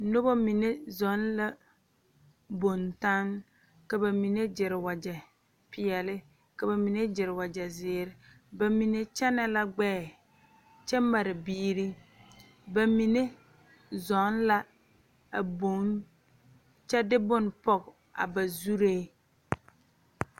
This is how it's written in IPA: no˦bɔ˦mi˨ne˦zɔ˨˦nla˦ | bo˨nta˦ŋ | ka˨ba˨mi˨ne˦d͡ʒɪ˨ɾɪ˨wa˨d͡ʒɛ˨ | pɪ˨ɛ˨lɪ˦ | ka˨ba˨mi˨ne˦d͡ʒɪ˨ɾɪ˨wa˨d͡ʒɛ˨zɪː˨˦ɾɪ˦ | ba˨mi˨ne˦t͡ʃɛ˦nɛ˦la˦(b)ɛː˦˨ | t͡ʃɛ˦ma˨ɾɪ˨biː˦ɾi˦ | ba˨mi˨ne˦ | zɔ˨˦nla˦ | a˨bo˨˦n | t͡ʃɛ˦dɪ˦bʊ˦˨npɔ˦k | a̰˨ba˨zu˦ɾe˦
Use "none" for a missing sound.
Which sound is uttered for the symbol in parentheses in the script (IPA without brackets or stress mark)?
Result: ɡ͡b